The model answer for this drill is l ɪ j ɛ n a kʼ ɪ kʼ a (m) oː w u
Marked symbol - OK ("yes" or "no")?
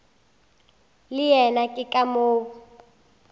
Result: yes